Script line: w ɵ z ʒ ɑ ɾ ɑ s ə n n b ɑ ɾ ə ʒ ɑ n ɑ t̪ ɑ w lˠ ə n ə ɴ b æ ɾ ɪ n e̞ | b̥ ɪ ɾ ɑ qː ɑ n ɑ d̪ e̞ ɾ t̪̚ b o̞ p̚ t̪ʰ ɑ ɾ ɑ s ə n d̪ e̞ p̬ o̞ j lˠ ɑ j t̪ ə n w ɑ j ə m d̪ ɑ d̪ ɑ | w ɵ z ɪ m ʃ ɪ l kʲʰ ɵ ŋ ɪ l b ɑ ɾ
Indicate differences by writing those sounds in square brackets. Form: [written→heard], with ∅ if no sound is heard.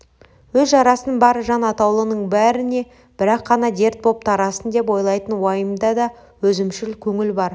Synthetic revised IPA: w ɵ z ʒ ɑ ɾ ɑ s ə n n b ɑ ɾ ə ʒ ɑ n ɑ t̪ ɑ w lˠ ə n ə ɴ b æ ɾ ɪ n e̞ | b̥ ɪ ɾ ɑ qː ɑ n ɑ d̪ e̞ ɾ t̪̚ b o̞ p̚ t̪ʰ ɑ ɾ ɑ s ə n d̪ e̞ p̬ o̞ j lˠ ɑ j t̪ ə n w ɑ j ə m d̪ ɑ d̪ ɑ | w ɵ z ɪ m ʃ ɪ l kʲʰ ɵ ŋ ɪ l b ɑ ɾ